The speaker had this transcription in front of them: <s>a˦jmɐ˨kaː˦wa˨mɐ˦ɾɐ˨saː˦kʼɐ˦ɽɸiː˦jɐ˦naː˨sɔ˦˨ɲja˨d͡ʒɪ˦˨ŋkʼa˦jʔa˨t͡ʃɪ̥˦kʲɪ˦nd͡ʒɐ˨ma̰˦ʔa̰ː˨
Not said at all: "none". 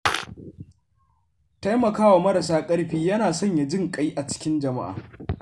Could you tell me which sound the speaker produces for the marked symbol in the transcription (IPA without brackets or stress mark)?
t